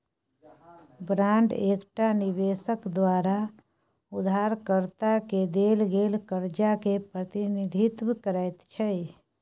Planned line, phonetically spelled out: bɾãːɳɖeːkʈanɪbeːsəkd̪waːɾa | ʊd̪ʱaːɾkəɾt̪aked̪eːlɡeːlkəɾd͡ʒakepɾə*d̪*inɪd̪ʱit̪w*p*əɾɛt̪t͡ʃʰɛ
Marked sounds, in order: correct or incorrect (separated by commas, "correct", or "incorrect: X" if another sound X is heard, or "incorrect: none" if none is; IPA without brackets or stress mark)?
incorrect: t̪, incorrect: k